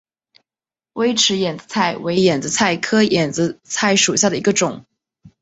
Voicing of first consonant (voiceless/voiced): voiced